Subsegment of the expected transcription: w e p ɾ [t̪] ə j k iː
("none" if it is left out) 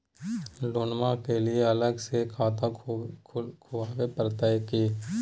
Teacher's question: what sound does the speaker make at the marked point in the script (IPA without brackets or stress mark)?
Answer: t̪